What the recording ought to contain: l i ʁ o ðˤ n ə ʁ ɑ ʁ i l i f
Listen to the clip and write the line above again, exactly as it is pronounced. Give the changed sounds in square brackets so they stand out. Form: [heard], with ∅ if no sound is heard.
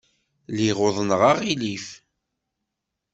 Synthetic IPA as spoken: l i ʁ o ðˤ n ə ʁ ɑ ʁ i l i f